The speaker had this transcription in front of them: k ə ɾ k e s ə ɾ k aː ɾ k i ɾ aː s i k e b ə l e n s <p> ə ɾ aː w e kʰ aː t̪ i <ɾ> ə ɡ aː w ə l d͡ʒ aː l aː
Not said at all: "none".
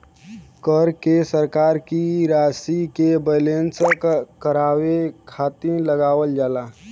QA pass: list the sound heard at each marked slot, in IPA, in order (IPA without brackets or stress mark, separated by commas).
k, l